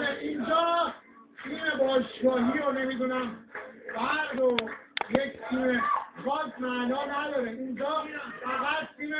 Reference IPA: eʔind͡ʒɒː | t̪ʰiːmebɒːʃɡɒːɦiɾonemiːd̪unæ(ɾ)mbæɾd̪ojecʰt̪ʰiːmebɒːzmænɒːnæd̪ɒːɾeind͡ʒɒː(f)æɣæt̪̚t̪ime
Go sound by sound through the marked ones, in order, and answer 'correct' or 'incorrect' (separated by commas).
incorrect, correct